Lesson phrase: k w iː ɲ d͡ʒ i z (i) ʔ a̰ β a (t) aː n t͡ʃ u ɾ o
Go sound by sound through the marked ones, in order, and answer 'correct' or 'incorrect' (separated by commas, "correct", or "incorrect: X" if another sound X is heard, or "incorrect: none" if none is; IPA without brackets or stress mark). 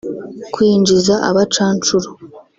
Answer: incorrect: a, incorrect: t͡ʃ